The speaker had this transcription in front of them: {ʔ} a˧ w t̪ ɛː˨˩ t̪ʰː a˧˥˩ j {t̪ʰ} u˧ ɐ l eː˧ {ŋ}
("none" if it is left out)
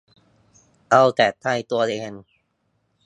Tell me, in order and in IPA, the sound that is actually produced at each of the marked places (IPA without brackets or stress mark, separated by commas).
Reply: ʔ, t̪, n